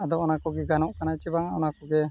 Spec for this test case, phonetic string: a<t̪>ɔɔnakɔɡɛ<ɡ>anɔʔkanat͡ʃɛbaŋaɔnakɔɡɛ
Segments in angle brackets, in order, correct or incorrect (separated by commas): incorrect, correct